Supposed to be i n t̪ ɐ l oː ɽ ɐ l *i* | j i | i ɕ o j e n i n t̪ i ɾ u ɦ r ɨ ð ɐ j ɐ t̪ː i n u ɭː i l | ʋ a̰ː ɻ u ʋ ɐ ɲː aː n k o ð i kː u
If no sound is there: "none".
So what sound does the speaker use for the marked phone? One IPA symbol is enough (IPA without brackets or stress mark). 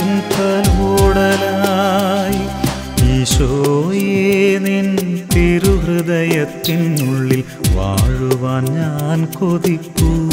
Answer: a